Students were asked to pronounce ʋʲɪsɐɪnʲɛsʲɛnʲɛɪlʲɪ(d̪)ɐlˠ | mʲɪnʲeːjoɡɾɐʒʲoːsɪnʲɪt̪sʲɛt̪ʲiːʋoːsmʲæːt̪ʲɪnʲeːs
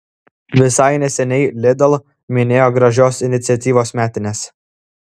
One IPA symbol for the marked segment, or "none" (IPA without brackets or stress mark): d̪